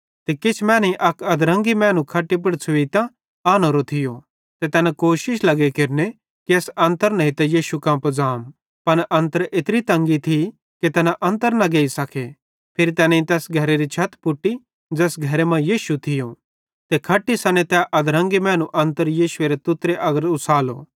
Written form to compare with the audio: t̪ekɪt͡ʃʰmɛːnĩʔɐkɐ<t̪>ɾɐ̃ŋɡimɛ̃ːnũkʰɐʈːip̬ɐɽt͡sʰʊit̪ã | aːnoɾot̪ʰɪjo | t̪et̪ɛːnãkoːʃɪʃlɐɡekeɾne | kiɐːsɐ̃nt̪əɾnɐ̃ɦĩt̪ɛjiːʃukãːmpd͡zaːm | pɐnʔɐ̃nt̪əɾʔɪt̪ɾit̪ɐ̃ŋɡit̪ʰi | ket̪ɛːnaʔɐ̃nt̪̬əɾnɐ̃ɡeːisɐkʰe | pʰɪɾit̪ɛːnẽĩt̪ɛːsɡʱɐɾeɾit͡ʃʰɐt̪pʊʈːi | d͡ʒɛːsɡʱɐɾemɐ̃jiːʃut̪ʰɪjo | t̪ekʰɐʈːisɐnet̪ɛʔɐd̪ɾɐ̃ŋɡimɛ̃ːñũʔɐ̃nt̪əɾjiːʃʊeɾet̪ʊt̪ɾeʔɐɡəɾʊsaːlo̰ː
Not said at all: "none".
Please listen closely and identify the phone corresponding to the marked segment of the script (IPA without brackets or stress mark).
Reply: d̪